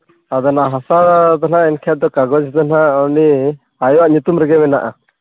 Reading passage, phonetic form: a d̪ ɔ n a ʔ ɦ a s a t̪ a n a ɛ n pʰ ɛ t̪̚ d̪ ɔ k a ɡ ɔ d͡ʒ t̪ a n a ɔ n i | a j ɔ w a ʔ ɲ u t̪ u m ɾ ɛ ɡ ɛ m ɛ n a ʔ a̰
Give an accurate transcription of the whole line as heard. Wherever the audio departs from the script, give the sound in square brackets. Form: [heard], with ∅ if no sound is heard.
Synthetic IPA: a d̪ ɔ n a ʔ ɦ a s a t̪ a n a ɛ n [kʰ] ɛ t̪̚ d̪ ɔ k a ɡ ɔ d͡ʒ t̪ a n a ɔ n i | a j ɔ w a ʔ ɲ u t̪ u m ɾ ɛ ɡ ɛ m ɛ n a ʔ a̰